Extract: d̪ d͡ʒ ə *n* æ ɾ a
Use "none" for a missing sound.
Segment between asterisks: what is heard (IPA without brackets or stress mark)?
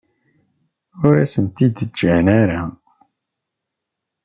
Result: n